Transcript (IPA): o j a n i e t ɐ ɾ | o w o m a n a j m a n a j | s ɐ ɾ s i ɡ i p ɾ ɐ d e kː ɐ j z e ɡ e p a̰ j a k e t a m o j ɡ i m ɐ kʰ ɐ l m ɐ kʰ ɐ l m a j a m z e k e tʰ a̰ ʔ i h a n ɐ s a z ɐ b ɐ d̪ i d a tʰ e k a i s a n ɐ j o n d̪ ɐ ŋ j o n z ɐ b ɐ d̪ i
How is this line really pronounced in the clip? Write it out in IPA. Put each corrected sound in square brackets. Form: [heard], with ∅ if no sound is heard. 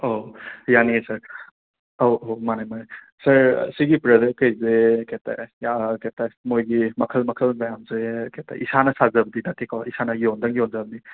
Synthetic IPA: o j a n i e [s] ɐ ɾ | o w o m a n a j m a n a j | s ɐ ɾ s i ɡ i p ɾ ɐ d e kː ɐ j z e [k] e [t] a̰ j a k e t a m o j ɡ i m ɐ kʰ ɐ l m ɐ kʰ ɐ l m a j a m z e k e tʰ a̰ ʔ i [s] a n ɐ s a z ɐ b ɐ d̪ i d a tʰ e k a i s a n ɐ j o n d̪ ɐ ŋ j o n z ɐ b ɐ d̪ i